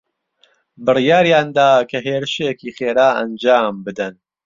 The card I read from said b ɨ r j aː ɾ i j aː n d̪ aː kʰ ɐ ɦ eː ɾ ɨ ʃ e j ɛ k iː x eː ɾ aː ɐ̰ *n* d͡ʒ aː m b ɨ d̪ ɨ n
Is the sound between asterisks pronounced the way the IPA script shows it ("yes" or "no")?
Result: yes